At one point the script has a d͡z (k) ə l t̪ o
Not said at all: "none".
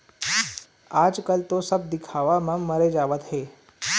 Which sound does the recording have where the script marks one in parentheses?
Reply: k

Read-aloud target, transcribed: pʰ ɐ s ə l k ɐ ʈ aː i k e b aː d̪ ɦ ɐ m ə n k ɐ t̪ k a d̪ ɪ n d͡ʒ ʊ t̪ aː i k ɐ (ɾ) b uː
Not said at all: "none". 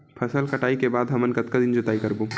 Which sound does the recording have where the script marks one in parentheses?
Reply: ɾ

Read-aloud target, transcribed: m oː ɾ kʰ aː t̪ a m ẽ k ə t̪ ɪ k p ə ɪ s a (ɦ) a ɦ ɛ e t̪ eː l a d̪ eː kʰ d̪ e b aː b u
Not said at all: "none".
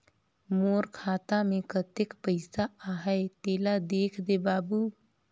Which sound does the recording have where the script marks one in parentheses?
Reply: none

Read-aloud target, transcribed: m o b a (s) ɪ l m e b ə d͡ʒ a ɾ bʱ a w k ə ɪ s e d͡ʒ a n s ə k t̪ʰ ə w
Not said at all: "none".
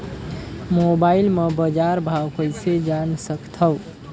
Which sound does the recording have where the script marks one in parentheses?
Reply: none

